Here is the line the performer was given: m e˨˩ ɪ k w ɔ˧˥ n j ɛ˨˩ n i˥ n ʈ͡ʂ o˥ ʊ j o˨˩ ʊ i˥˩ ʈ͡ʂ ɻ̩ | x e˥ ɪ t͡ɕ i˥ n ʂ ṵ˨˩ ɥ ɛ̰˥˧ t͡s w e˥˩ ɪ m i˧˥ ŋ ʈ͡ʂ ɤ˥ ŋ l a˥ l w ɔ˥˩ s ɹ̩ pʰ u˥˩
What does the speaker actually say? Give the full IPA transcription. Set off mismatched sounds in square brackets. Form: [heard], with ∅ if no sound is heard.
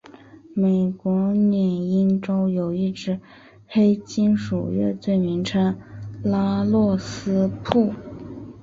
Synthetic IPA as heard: m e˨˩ ɪ k w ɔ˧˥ n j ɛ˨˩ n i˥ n ʈ͡ʂ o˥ ʊ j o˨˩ ʊ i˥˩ ʈ͡ʂ ɻ̩ | x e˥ ɪ t͡ɕ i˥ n ʂ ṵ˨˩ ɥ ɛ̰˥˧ t͡s w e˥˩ ɪ m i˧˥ ŋ [ʈ͡ʂʰ] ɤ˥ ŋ l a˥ l w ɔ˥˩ s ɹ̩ pʰ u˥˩